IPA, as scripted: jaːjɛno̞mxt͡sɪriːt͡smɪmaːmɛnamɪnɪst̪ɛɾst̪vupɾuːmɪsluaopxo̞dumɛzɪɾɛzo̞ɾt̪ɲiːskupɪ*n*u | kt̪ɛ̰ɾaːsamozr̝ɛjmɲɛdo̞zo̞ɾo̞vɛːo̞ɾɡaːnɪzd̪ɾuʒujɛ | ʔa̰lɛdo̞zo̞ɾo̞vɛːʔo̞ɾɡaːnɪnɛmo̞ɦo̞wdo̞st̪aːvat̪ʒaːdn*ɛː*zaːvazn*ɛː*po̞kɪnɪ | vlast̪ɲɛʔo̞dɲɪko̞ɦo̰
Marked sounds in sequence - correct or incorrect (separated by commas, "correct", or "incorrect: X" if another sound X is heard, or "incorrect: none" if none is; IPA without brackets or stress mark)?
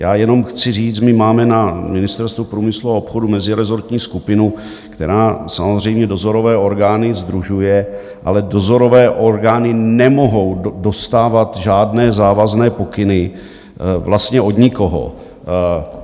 correct, correct, correct